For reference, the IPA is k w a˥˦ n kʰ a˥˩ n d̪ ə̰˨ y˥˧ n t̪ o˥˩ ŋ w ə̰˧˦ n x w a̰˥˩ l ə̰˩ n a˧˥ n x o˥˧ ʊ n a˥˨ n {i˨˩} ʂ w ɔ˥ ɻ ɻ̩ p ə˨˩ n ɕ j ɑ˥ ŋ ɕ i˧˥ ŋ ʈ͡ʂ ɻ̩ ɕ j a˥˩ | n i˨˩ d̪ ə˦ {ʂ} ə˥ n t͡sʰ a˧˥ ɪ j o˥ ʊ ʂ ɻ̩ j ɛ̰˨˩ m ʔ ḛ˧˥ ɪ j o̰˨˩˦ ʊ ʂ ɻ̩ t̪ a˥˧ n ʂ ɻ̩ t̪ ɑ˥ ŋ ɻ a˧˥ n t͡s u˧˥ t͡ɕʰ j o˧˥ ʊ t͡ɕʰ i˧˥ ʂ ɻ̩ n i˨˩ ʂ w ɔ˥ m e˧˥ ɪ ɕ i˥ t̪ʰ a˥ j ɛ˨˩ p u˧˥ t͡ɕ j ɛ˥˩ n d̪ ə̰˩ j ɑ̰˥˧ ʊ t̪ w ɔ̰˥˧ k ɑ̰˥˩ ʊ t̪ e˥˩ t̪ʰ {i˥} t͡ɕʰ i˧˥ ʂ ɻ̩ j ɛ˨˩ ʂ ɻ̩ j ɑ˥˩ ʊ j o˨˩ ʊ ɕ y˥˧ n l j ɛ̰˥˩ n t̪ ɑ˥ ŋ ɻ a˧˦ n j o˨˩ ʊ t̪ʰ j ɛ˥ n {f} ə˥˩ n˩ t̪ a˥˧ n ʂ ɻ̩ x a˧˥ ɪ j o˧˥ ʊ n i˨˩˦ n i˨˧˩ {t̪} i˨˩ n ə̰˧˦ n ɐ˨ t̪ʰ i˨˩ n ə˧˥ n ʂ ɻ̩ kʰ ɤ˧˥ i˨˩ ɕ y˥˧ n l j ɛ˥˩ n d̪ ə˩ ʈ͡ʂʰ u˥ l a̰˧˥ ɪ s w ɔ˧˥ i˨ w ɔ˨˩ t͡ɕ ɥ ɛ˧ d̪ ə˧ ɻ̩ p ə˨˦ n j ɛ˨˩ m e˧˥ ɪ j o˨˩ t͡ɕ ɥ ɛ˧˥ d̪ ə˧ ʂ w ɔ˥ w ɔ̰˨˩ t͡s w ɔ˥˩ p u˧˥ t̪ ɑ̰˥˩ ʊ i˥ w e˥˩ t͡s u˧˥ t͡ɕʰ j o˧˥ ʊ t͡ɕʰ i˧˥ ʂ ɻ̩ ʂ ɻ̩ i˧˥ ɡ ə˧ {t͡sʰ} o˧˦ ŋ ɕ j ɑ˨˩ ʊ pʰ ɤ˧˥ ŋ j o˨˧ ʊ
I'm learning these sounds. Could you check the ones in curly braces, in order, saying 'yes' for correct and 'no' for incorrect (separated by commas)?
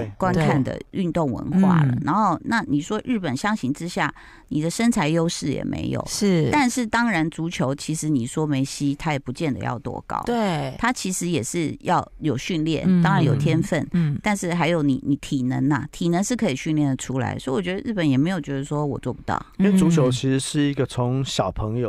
yes, yes, no, yes, no, yes